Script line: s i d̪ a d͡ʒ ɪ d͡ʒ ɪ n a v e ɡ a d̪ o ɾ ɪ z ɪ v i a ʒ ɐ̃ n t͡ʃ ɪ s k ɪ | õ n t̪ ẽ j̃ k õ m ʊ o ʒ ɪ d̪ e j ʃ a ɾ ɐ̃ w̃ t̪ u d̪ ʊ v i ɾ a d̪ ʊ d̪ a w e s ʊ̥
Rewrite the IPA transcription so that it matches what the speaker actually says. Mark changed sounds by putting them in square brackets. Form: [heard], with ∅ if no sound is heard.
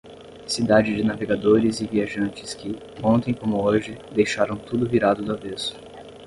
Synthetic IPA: s i d̪ a d͡ʒ ɪ d͡ʒ ɪ n a v e ɡ a d̪ o ɾ ɪ z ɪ v i a ʒ ɐ̃ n t͡ʃ ɪ s k ɪ | õ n t̪ ẽ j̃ k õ m ʊ o ʒ ɪ d̪ e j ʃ a ɾ ɐ̃ w̃ t̪ u d̪ ʊ v i ɾ a d̪ ʊ d̪ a [v] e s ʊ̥